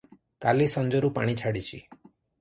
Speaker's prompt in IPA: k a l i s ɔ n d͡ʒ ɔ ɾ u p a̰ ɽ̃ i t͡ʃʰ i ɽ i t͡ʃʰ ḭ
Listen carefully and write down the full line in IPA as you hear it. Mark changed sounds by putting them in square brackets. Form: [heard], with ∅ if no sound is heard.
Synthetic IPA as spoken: k a l i s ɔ n d͡ʒ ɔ ɾ u p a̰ ɽ̃ i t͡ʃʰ [a] ɽ i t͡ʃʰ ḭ